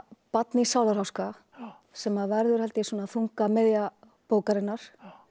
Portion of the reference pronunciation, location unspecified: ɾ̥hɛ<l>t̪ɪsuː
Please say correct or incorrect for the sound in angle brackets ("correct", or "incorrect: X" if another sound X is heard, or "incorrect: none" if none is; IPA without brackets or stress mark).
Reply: correct